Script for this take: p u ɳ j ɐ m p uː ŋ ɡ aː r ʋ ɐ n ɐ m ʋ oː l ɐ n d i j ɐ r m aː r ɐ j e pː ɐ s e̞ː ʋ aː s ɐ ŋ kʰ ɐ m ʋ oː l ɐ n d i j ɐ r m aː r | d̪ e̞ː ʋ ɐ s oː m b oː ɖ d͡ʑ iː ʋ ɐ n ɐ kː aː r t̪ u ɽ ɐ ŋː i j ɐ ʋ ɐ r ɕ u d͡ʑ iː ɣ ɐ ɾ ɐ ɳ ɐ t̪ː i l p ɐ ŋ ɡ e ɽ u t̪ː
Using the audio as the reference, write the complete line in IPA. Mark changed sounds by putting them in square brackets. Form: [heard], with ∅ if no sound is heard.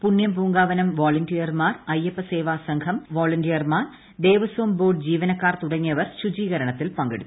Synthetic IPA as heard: p u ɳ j ɐ m p uː ŋ ɡ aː [∅] ʋ ɐ n ɐ m ʋ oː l ɐ n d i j ɐ r m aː r ɐ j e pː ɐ s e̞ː ʋ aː s ɐ ŋ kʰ ɐ m ʋ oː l ɐ n d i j ɐ r m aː r | d̪ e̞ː ʋ ɐ s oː m b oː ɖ d͡ʑ iː ʋ ɐ n ɐ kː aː r t̪ u ɽ ɐ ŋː i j ɐ ʋ ɐ r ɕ u d͡ʑ iː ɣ ɐ ɾ ɐ ɳ ɐ t̪ː i l p ɐ ŋ ɡ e ɽ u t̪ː